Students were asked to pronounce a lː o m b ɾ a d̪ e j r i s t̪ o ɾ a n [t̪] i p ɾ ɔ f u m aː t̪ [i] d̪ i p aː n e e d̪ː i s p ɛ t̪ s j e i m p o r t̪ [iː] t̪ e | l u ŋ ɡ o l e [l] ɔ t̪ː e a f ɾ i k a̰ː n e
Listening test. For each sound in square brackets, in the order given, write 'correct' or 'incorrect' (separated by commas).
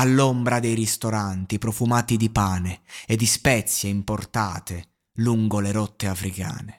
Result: correct, correct, incorrect, incorrect